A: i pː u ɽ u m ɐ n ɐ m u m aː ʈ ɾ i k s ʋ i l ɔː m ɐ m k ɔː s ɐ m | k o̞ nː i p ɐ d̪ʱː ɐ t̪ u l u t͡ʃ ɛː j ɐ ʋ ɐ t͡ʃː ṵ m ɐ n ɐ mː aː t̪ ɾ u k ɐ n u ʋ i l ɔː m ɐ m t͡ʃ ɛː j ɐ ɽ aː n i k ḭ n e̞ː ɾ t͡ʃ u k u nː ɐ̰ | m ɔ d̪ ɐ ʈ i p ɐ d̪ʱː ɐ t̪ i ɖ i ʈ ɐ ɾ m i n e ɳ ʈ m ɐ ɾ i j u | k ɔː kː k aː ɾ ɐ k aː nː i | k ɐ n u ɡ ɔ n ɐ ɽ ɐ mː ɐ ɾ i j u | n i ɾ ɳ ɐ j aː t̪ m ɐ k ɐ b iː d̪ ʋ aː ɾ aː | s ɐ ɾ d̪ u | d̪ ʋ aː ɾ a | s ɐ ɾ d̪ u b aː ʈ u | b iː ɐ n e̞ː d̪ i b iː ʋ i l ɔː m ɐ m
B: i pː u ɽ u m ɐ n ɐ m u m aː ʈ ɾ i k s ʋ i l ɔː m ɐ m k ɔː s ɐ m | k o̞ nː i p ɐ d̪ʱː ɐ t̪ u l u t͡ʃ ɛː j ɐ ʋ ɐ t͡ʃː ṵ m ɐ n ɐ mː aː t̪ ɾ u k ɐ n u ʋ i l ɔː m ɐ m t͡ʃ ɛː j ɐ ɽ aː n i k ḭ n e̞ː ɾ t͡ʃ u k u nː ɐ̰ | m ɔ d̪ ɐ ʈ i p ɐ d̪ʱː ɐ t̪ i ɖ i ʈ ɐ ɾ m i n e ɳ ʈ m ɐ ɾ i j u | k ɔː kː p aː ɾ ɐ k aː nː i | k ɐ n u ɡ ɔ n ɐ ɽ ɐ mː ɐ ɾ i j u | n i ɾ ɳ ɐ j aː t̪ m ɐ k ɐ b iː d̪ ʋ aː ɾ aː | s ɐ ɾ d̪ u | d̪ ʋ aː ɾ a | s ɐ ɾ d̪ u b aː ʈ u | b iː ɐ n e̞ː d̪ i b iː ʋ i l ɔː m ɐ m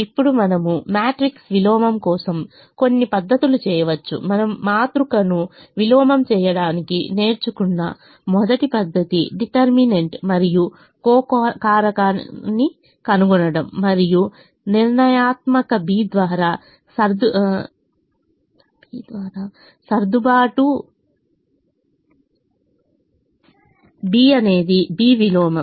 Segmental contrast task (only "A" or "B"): A